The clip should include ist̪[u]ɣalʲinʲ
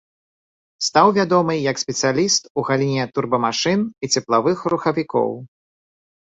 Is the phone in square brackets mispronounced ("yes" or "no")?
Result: no